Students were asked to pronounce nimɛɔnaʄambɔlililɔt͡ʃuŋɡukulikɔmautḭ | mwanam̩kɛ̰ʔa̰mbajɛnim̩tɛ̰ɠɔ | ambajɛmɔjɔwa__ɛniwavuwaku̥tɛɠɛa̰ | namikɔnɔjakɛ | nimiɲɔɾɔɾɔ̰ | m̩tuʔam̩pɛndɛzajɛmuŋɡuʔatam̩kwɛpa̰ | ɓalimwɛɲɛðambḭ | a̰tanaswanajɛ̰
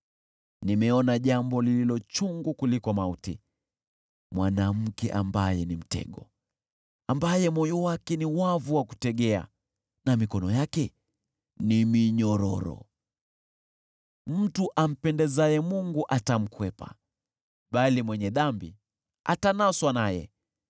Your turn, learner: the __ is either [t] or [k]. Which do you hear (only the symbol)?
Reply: k